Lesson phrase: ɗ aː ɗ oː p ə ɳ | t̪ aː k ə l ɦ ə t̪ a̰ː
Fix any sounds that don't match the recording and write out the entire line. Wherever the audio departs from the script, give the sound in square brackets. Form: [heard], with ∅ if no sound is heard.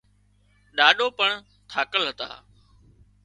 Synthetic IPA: ɗ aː ɗ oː p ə ɳ | [t̪ʰ] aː k ə l ɦ ə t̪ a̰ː